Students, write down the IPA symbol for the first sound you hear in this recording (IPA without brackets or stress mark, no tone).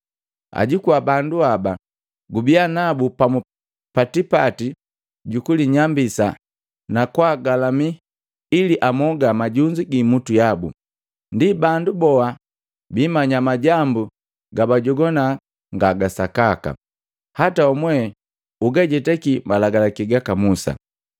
a̰